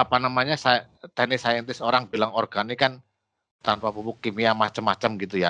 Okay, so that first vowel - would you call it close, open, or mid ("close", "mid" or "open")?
open